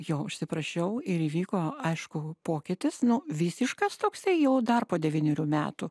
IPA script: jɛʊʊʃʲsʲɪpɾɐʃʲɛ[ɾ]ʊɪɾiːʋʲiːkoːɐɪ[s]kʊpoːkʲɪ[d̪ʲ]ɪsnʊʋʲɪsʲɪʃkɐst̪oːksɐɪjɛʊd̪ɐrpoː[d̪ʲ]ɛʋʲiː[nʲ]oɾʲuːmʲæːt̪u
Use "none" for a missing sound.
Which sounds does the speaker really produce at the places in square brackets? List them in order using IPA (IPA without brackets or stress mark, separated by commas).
none, ʃ, t̪ʲ, d̪ʲ, nʲ